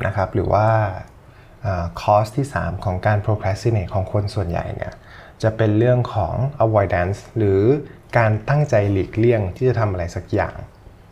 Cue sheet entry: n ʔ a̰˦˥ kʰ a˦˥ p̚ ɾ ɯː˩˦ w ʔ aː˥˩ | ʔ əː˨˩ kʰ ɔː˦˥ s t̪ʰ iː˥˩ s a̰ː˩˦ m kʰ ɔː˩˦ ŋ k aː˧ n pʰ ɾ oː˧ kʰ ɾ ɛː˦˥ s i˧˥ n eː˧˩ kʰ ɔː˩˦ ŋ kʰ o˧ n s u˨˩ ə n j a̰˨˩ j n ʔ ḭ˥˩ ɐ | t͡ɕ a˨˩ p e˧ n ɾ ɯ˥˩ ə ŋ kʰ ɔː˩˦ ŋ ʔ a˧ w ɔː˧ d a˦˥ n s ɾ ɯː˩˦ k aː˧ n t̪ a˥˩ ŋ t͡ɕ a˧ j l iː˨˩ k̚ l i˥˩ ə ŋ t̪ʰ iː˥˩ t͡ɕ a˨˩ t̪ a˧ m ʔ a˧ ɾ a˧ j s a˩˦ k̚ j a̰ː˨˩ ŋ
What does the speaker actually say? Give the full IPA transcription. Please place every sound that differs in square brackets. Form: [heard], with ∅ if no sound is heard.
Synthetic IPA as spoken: n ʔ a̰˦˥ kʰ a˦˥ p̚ ɾ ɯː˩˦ w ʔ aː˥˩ | ʔ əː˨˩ kʰ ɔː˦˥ s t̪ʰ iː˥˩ s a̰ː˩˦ m kʰ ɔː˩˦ ŋ k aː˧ n pʰ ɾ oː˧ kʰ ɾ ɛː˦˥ s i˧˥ n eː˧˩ kʰ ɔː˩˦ ŋ kʰ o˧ n s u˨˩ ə n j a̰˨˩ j n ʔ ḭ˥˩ ɐ | t͡ɕ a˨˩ p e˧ n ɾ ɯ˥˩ ə ŋ kʰ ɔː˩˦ ŋ ʔ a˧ w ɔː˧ d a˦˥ n s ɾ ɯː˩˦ k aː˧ n t̪ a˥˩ ŋ t͡ɕ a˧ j l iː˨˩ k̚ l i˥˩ ə ŋ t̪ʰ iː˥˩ t͡ɕ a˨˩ [t̪ʰ] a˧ m ʔ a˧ ɾ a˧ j s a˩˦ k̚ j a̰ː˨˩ ŋ